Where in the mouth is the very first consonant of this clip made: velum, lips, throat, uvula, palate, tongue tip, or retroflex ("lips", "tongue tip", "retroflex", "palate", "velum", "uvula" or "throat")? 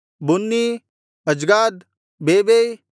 lips